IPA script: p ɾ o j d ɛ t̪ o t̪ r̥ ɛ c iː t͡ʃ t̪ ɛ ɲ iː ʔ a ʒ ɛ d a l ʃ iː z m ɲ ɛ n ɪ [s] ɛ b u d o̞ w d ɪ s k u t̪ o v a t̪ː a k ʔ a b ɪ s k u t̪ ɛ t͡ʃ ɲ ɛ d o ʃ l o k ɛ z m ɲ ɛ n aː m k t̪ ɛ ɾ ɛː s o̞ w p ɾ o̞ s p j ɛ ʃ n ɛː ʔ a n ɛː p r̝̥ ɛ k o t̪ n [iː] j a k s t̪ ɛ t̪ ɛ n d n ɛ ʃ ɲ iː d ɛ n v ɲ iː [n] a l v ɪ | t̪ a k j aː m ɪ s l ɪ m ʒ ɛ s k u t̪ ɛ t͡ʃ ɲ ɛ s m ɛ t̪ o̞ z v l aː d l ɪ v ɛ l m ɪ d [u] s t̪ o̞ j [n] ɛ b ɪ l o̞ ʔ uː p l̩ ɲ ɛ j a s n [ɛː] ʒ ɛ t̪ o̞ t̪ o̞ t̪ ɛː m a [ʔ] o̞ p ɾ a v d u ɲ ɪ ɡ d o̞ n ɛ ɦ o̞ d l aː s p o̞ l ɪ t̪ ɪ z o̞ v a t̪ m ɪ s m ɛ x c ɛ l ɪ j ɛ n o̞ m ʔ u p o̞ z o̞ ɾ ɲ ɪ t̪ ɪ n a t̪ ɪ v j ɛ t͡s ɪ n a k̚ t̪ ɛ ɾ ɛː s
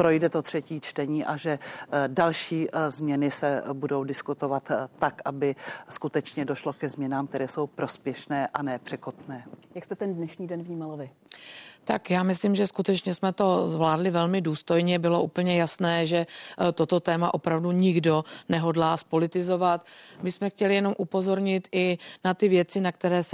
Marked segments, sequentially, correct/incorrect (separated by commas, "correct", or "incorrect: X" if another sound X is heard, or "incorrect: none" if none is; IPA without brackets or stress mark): correct, incorrect: ɛː, incorrect: m, incorrect: uː, incorrect: ɲ, correct, correct